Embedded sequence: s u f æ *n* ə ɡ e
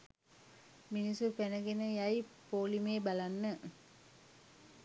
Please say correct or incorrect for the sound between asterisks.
correct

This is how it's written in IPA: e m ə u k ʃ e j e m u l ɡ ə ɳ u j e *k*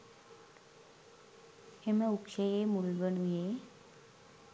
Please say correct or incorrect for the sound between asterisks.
incorrect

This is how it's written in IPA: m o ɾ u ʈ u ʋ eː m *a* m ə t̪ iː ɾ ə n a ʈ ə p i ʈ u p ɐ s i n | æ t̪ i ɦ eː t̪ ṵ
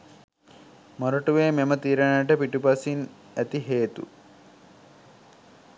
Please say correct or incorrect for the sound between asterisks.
incorrect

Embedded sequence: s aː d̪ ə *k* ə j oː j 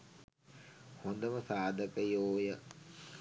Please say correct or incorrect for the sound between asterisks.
correct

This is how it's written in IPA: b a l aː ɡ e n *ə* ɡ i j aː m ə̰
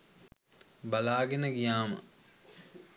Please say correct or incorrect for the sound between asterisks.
correct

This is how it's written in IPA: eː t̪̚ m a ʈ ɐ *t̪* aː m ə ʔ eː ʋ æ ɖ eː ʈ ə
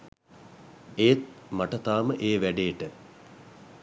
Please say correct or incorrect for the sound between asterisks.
correct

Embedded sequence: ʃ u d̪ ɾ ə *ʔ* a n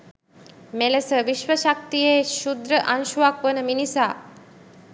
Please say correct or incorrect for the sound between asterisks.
correct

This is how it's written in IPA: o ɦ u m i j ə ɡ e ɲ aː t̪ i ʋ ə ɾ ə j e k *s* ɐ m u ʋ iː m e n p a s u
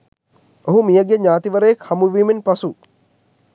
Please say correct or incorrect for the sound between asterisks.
incorrect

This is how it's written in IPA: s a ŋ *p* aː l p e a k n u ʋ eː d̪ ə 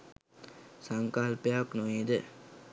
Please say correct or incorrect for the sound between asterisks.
incorrect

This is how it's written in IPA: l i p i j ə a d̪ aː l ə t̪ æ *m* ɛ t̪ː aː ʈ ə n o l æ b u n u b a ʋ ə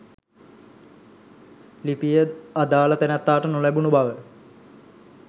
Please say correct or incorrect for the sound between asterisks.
incorrect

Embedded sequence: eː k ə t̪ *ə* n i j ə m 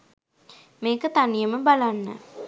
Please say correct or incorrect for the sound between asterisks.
incorrect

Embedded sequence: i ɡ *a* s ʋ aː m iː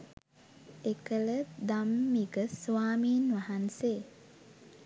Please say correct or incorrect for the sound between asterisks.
incorrect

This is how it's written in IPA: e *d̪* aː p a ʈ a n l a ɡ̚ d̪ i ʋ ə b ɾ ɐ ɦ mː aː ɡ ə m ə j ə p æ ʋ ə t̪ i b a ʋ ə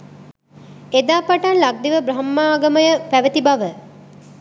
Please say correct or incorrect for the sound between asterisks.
correct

